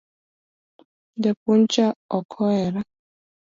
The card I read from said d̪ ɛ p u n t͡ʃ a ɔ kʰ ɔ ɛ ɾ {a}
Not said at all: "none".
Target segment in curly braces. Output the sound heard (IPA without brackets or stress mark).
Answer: a